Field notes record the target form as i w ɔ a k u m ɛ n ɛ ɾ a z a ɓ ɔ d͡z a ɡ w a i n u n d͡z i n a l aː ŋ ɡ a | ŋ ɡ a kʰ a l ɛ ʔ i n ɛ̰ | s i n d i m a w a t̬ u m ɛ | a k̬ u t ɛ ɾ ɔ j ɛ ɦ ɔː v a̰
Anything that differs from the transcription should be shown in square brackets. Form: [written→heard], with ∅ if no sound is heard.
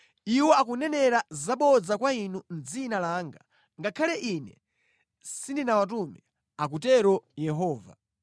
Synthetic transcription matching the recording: i w ɔ a k u [m→n] ɛ n ɛ ɾ a z a ɓ ɔ d͡z a [ɡ→k] w a i n u n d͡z i n a l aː ŋ ɡ a | ŋ ɡ a kʰ a l ɛ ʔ i n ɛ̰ | s i n d i [m→n] a w a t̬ u m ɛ | a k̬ u t ɛ ɾ ɔ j ɛ ɦ ɔː v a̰